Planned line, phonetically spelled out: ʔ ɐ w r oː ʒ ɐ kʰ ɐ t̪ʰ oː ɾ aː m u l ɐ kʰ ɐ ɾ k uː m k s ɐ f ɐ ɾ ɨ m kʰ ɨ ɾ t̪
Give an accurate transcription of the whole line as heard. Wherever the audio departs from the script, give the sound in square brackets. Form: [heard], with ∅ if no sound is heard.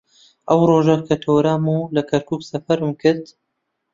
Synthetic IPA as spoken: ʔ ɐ w r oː ʒ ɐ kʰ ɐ t̪ʰ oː ɾ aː m u l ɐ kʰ ɐ ɾ k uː [∅] k s ɐ f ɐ ɾ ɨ m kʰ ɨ ɾ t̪